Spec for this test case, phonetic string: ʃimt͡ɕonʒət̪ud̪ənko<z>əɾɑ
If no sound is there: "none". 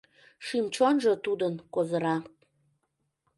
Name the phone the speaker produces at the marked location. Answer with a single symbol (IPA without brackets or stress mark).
z